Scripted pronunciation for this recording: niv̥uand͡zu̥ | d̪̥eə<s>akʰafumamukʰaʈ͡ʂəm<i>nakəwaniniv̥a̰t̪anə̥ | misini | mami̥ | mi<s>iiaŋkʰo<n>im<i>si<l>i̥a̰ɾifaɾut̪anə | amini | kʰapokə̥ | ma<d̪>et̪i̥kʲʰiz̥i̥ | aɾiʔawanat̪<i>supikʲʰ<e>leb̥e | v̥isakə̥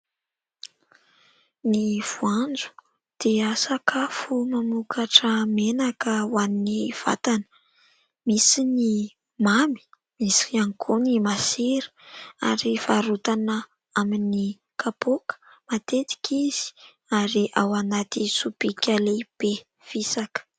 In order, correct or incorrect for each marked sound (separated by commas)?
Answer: correct, incorrect, correct, correct, incorrect, incorrect, incorrect, correct, incorrect